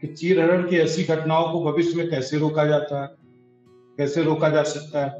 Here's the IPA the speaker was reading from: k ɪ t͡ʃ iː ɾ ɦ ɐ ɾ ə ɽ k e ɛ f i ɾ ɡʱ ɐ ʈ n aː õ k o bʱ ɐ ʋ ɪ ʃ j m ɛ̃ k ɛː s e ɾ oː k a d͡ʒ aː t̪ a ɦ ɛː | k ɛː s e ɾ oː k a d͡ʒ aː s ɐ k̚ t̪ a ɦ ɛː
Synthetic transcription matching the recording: k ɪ t͡ʃ iː ɾ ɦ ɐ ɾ ə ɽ k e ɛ s i ɡʱ ɐ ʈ n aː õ k o bʱ ɐ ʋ ɪ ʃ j m ẽ k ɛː s e ɾ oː k a d͡ʒ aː t̪ a ɦ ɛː | k ɛː s e ɾ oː k a d͡ʒ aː s ɐ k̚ t̪ a ɦ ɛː